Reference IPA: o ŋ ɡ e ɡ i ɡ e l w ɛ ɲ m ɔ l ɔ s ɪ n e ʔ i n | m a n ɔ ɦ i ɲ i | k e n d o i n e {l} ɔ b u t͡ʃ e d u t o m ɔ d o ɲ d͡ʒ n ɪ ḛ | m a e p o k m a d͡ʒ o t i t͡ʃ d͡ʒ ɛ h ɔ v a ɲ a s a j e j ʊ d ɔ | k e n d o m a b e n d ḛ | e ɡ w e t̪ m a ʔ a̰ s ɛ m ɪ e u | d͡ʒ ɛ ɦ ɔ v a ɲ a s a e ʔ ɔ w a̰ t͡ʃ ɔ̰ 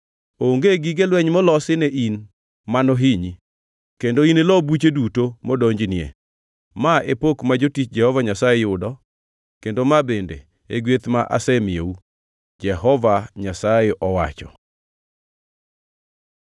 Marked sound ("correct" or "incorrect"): correct